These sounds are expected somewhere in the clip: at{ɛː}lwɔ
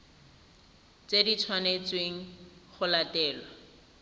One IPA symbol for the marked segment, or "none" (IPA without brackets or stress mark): ɛː